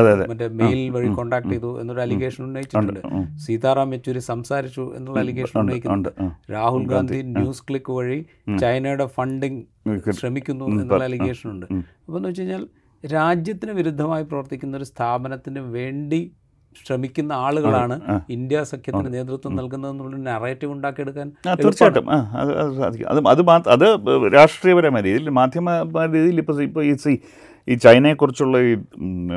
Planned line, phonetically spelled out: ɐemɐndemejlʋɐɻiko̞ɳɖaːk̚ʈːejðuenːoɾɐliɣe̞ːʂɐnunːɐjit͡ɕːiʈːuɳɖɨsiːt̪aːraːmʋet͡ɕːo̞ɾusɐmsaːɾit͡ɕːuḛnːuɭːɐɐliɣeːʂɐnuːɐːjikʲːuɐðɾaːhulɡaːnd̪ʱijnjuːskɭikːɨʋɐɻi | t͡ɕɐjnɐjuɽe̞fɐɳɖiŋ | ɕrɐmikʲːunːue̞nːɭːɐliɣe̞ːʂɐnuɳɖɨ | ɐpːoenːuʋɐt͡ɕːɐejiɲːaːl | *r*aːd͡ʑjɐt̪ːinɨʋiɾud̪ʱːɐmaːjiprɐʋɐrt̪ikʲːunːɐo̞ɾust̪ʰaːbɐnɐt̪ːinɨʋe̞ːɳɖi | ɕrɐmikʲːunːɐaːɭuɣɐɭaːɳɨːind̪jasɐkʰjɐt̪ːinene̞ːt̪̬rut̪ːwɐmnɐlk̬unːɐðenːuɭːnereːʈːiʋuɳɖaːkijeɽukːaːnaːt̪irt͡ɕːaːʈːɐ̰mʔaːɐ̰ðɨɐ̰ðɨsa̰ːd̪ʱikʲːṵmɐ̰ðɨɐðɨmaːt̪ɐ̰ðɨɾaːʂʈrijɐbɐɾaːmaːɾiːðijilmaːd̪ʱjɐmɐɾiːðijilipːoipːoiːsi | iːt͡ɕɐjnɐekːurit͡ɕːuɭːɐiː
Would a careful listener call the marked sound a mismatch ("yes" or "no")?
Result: yes